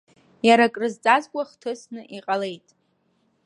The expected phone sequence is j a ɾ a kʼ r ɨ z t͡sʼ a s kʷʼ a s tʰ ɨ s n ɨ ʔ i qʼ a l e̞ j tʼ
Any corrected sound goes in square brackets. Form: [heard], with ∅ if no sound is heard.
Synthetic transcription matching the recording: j a ɾ a kʼ r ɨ z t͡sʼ a [z] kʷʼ a [χ] tʰ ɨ s n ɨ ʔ i qʼ a l e̞ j tʼ